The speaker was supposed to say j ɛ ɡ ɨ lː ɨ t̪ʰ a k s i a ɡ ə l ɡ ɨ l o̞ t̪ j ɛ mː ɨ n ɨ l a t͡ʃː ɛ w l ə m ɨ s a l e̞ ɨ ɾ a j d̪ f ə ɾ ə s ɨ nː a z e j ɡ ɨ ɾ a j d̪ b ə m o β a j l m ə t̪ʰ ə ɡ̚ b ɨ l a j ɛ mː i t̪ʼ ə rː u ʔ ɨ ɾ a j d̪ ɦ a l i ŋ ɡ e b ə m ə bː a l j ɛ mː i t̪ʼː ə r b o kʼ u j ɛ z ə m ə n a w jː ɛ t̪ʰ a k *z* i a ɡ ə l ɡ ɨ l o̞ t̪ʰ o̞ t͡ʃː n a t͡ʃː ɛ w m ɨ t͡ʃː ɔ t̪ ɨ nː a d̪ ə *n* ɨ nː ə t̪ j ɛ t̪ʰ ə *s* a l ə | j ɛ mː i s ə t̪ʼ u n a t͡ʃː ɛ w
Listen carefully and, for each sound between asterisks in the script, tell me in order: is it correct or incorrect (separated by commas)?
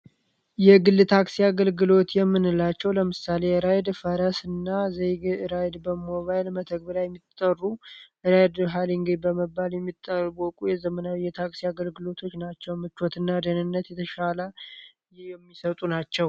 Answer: incorrect, correct, incorrect